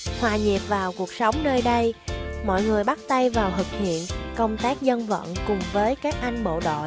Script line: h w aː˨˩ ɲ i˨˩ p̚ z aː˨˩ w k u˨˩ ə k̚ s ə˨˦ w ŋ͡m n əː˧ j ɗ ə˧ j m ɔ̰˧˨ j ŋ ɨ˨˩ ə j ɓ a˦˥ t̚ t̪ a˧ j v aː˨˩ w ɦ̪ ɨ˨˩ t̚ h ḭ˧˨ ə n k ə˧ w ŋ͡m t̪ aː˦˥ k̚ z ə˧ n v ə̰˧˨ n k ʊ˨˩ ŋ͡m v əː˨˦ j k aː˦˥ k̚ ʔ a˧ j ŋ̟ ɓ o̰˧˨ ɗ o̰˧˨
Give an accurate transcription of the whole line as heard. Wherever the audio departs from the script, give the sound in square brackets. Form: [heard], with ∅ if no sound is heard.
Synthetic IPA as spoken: h w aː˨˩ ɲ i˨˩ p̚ [v] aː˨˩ w k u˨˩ ə k̚ s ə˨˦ w ŋ͡m n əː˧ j ɗ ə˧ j m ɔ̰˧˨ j ŋ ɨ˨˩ ə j ɓ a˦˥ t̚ t̪ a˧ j v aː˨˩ w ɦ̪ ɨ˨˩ [k̚] h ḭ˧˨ ə n k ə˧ w ŋ͡m t̪ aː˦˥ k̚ z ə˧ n v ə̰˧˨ n k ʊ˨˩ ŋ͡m v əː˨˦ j k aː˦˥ k̚ ʔ a˧ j ŋ̟ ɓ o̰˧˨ ɗ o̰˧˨